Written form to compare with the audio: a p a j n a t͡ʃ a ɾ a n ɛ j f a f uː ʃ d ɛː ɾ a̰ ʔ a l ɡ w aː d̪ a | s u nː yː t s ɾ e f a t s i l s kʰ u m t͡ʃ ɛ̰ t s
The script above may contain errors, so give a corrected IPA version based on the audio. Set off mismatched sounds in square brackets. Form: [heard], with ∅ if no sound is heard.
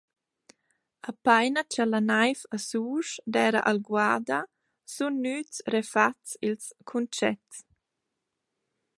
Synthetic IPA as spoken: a p a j n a t͡ʃ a [l] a n [a] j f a [s] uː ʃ d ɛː ɾ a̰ ʔ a l ɡ w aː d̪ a | s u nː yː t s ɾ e f a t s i l s kʰ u [n] t͡ʃ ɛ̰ t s